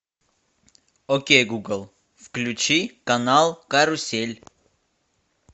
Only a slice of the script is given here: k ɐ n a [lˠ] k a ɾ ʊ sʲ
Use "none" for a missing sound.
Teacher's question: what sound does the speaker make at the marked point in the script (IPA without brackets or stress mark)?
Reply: lˠ